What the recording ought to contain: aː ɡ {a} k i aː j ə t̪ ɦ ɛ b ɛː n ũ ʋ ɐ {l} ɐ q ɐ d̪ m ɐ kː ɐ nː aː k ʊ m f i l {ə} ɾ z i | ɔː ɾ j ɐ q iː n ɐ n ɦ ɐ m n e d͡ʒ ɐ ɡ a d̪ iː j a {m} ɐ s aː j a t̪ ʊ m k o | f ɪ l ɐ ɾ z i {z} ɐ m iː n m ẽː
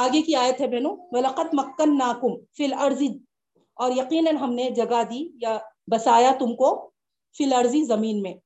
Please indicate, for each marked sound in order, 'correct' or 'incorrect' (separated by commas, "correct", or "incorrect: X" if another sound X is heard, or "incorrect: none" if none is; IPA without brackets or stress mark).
incorrect: e, correct, incorrect: ɐ, incorrect: b, correct